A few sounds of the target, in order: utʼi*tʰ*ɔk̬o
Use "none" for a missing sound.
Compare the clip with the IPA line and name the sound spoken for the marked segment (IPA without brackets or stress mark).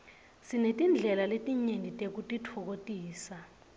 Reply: tʰ